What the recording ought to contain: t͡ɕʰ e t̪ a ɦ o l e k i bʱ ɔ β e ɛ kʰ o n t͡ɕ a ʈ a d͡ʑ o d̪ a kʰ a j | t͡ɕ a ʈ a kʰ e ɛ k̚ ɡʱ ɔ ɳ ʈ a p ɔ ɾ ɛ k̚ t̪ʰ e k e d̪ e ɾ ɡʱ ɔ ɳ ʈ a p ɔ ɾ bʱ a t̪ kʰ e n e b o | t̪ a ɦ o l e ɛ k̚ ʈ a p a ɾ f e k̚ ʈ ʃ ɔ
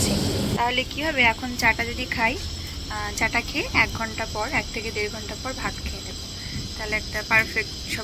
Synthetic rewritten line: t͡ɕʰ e t̪ a ɦ o l e k i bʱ ɔ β e ɛ kʰ o n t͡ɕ a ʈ a d͡ʑ o d̪ i kʰ a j | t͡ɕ a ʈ a kʰ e ɛ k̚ ɡʱ ɔ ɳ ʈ a p ɔ ɾ ɛ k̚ t̪ʰ e k e d̪ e ɾ ɡʱ ɔ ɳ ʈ a p ɔ ɾ bʱ a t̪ kʰ e n e b o | t̪ a ɦ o l e ɛ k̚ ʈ a p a ɾ f e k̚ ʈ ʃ ɔ

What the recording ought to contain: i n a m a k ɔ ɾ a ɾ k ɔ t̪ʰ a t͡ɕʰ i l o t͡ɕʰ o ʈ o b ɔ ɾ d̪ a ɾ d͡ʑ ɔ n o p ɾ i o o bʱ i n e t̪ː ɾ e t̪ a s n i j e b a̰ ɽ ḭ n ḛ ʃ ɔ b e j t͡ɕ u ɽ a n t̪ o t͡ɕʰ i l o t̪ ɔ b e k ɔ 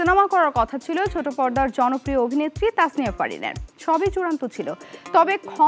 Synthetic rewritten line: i n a m a k ɔ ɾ a ɾ k ɔ t̪ʰ a t͡ɕʰ i l o t͡ɕʰ o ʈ o p ɔ ɾ d̪ a ɾ d͡ʑ ɔ n o p ɾ i o o bʱ i n e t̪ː ɾ i t̪ a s n i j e p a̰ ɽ ḭ n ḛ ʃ ɔ b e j t͡ɕ u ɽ a n t̪ o t͡ɕʰ i l o t̪ ɔ b e kʰ ɔ

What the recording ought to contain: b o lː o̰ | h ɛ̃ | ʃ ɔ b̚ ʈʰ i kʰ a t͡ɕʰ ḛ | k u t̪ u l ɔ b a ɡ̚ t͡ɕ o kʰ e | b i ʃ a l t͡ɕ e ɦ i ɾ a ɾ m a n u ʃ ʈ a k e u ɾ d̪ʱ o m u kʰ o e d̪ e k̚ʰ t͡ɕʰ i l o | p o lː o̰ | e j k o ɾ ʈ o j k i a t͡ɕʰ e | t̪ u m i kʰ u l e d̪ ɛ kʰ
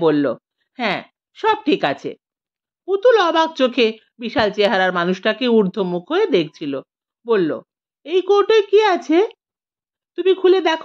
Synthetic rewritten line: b o lː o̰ | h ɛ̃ | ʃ ɔ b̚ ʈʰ i k a t͡ɕʰ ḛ | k u t̪ u l ɔ b a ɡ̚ t͡ɕ o kʰ e | b i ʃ a l t͡ɕ e ɦ a ɾ a ɾ m a n u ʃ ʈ a k e u ɾ d̪ʱ o m u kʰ o e d̪ e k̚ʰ t͡ɕʰ i l o | b o lː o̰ | e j k o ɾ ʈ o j k i a t͡ɕʰ e | t̪ u m i kʰ u l e d̪ ɛ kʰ

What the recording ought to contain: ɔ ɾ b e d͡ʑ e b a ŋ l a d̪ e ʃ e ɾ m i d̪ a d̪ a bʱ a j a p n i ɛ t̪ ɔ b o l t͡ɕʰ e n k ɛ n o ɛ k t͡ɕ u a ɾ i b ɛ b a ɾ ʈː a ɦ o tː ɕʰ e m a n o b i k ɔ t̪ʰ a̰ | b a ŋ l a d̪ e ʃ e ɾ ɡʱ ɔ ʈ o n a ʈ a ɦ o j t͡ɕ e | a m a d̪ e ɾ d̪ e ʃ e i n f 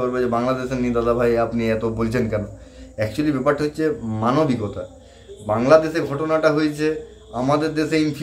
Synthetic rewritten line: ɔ ɾ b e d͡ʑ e b a ŋ l a d̪ e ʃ e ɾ n i d̪ a d̪ a bʱ a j a p n i ɛ t̪ o b o l t͡ɕʰ e n k ɛ n o ɛ k t͡ɕ u a l i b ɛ p a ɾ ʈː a ɦ o tː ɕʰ e m a n o b i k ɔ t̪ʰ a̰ | b a ŋ l a d̪ e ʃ e ɾ ɡʱ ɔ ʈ o n a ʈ a ɦ o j t͡ɕʰ e | a m a d̪ e ɾ d̪ e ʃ e i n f

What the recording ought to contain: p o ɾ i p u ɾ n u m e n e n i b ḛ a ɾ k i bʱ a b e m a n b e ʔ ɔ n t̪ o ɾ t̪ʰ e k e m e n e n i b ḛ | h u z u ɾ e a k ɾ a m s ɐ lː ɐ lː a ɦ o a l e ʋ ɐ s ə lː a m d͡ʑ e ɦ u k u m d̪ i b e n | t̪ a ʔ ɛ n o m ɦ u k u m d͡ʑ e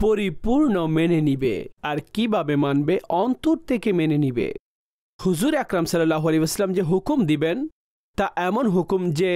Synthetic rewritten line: p o ɾ i p u ɾ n o m e n e n i b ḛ a ɾ k i bʱ a b e m a n b e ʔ ɔ n t̪ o ɾ t̪ʰ e k e m e n e n i b ḛ | h u z u ɾ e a k ɾ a m s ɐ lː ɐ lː a ɦ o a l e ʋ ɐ s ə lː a m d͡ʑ e ɦ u k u m d̪ i b e n | t̪ a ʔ ɛ m o n ɦ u k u m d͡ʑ e

